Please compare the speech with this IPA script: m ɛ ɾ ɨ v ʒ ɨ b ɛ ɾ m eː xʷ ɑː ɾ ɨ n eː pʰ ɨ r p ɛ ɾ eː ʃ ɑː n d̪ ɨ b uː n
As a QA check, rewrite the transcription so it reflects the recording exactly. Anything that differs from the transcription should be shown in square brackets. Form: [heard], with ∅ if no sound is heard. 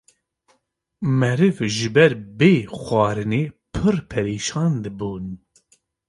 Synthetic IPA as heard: m ɛ ɾ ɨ v ʒ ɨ b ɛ ɾ [b] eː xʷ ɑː ɾ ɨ n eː pʰ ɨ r [pʰ] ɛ ɾ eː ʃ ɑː n d̪ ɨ b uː n